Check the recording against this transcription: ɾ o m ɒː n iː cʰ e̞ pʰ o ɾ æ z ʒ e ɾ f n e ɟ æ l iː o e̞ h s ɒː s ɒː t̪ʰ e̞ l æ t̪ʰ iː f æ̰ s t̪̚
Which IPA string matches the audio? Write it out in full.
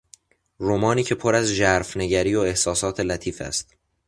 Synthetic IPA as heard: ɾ o m ɒː n iː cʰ e̞ pʰ o ɾ æ z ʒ æ ɾ f n e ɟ æ ɾ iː o e̞ h s ɒː s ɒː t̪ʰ e̞ l æ t̪ʰ iː f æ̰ s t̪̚